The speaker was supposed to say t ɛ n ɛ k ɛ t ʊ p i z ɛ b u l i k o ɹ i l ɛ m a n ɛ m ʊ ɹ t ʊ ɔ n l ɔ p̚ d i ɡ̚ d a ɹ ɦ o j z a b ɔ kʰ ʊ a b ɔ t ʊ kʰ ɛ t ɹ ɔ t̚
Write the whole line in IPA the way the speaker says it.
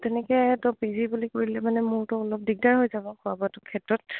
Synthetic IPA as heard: t ɛ n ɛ k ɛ t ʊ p i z i b u l i k o ɹ i l ɛ m a n ɛ m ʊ ɹ t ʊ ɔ l ɔ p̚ d i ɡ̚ d a ɹ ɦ o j z a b ɔ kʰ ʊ a b ɔ t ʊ kʰ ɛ t ɹ ɔ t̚